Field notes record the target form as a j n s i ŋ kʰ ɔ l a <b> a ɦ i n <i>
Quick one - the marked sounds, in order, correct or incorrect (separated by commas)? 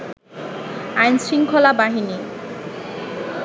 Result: correct, correct